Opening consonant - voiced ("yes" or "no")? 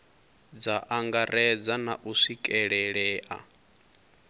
yes